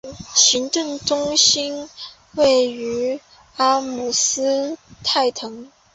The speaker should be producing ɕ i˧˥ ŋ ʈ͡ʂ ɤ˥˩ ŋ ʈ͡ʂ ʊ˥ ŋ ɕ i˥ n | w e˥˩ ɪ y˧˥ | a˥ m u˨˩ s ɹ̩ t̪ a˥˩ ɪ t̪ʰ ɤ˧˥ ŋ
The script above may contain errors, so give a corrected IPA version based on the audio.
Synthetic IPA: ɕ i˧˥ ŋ ʈ͡ʂ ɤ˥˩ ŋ ʈ͡ʂ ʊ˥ ŋ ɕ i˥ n | w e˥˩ ɪ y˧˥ | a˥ m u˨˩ s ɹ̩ t̪ʰ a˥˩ ɪ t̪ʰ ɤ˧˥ ŋ